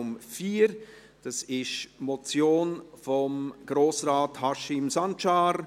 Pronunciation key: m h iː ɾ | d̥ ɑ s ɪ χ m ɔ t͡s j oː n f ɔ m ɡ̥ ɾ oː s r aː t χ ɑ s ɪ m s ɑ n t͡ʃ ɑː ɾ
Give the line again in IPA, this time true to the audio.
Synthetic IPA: m f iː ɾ | d̥ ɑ s ɪ ʃ m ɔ t͡s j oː n f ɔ m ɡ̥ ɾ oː s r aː t h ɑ ʃ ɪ m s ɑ n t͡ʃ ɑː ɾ